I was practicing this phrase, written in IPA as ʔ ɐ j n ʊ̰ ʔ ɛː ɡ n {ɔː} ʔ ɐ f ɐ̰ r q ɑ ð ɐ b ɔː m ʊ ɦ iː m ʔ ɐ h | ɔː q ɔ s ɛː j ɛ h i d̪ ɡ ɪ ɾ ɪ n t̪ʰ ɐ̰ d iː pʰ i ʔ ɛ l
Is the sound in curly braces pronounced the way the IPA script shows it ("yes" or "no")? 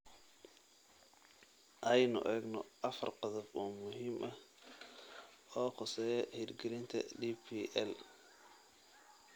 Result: no